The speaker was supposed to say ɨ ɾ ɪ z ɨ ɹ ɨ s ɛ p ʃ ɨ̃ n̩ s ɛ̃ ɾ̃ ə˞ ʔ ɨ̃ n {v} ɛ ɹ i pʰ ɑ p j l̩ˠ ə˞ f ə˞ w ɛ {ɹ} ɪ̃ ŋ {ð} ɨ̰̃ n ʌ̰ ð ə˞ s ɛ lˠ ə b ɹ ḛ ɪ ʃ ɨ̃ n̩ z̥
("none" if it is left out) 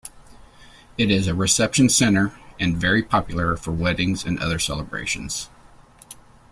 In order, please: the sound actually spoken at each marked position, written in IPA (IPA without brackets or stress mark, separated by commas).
v, ɾ, z